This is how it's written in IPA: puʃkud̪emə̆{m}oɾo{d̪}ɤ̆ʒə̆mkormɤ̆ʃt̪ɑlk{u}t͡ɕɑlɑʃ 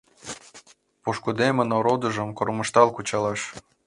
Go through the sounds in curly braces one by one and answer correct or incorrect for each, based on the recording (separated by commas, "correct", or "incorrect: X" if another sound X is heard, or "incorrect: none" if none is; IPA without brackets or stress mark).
incorrect: n, correct, correct